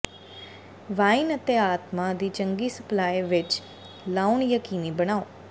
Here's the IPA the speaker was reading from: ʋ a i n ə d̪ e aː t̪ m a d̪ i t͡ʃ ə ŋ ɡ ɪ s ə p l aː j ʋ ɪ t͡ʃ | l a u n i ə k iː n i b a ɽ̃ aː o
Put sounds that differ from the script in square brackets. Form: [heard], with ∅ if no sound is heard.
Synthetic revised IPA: ʋ a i n ə [t̪] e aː t̪ m a d̪ i t͡ʃ ə ŋ ɡ [i] s ə p l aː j ʋ ɪ t͡ʃ | l a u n [j] ə k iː n i b [ə] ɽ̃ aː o